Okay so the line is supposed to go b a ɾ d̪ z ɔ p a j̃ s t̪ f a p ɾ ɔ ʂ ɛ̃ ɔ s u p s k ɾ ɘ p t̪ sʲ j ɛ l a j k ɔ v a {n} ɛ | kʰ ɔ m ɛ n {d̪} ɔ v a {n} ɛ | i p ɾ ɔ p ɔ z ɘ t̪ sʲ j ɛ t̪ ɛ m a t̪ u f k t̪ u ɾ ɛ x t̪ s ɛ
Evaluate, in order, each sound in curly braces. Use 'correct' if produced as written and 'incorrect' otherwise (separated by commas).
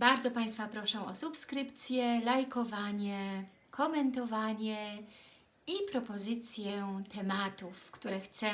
incorrect, incorrect, incorrect